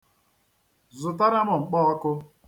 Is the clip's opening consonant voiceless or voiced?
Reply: voiced